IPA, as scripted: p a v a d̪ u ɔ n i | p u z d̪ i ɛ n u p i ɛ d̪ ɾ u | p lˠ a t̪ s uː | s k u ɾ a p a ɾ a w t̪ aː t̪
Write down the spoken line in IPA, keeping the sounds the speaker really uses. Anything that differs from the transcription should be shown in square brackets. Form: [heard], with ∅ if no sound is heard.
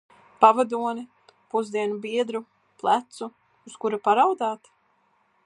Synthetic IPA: p a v a d̪ u ɔ n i | p u z d̪ i ɛ n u [b] i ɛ d̪ ɾ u | p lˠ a t̪ s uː | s k u ɾ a p a ɾ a w [d̪] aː t̪